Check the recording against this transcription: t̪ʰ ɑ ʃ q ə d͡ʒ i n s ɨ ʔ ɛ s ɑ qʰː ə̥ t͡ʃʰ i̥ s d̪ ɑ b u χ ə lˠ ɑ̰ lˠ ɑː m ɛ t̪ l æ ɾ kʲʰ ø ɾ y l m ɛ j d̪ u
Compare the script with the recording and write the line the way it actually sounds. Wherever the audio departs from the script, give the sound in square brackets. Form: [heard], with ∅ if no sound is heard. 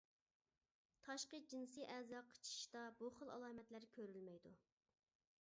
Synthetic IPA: t̪ʰ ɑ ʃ q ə d͡ʒ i n s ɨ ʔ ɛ [z] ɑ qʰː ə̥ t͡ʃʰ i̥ [ʃ] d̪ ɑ b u χ ə lˠ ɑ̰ lˠ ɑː m ɛ t̪ l æ ɾ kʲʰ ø ɾ y l m ɛ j d̪ u